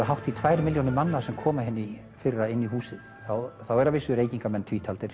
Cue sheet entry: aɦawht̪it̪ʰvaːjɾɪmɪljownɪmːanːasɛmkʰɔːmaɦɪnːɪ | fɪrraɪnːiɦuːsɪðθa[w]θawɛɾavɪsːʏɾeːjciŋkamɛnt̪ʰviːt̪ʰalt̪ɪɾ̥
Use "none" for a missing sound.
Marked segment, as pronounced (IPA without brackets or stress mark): w